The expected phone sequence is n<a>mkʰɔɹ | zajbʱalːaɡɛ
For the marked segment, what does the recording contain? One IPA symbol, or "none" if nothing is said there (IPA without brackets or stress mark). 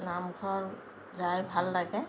a